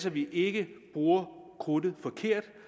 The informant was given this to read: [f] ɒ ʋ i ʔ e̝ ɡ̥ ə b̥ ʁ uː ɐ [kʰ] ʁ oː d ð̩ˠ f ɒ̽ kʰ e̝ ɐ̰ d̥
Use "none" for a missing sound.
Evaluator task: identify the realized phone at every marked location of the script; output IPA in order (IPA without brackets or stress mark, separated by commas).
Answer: s, kʰ